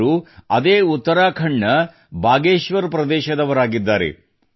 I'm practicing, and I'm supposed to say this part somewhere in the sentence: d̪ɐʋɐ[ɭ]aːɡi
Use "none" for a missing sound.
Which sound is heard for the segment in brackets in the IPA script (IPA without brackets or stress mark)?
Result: ɾ